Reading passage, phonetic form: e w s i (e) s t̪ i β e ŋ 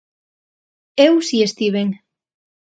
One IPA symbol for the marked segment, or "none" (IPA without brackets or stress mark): e